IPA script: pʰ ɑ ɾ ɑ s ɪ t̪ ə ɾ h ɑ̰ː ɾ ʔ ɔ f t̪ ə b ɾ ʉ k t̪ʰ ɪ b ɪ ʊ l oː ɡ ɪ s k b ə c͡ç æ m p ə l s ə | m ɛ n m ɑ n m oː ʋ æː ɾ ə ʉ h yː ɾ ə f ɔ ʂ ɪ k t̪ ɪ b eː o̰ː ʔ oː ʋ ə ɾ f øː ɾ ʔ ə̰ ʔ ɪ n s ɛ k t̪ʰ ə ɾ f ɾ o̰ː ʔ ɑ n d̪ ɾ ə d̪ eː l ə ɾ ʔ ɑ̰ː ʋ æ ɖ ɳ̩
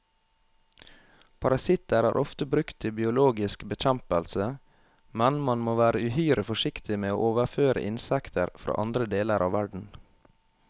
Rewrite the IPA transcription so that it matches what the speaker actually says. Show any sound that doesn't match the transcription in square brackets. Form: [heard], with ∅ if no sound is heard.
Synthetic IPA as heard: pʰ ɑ ɾ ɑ s ɪ t̪ ə ɾ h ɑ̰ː ɾ ʔ ɔ f t̪ ə b ɾ ʉ k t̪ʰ ɪ b ɪ ʊ l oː ɡ ɪ s k b ə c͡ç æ m p ə l s ə | m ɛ n m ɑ n m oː ʋ æː ɾ ə ʉ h yː ɾ ə f ɔ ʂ ɪ k t̪ ɪ [m] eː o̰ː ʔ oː ʋ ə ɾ f øː ɾ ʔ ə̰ ʔ ɪ n s ɛ k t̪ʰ ə ɾ f ɾ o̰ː ʔ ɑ n d̪ ɾ ə d̪ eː l ə ɾ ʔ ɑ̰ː ʋ æ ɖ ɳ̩